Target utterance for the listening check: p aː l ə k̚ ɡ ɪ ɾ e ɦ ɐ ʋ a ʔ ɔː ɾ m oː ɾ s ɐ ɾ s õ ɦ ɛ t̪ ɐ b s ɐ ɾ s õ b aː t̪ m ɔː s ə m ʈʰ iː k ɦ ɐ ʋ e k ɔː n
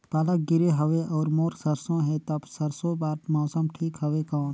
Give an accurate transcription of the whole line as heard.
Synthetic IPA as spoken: p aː l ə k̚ ɡ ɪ ɾ e ɦ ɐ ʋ e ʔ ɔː ɾ m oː ɾ s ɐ ɾ s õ ɦ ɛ t̪ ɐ b s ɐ ɾ s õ b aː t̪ m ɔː s ə m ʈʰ iː k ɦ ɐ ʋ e k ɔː n